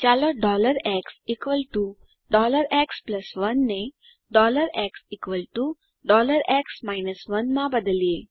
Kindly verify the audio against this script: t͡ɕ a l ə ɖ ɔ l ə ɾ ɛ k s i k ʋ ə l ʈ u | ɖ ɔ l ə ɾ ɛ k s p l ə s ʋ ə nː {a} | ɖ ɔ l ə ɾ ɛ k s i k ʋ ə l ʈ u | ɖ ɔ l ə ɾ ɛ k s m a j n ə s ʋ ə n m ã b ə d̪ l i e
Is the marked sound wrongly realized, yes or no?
yes